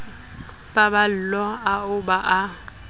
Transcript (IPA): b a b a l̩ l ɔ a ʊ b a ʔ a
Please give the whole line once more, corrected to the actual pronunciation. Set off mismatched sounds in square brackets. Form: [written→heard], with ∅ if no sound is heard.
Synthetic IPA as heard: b a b a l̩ l ɔ a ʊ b a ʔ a